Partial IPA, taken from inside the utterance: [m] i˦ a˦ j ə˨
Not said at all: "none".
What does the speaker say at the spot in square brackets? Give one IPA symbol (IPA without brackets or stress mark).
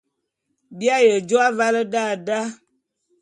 b